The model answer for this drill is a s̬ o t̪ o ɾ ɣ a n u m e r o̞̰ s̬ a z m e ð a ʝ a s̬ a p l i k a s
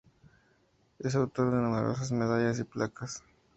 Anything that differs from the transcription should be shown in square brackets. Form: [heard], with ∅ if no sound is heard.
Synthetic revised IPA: [e] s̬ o t̪ o ɾ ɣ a n u m e [ɾ] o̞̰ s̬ a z m e ð a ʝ a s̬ [i] p l [a] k a s